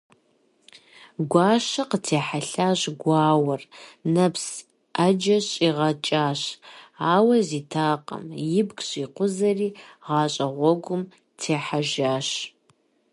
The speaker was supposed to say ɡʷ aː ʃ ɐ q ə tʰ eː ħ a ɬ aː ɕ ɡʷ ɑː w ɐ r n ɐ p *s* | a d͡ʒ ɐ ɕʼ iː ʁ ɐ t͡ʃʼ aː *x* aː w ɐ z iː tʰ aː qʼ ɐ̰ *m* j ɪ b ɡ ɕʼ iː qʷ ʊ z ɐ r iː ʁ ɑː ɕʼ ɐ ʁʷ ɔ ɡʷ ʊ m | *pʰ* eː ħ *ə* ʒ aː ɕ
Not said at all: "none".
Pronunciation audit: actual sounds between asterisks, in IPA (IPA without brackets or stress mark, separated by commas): s, ɕ, m, tʰ, a